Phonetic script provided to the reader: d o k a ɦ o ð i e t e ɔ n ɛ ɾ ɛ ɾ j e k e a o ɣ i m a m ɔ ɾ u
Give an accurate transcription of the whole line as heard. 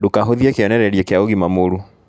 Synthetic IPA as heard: d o k a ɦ o ð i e k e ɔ n ɛ ɾ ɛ ɾ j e k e a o ɣ i m a m o ɾ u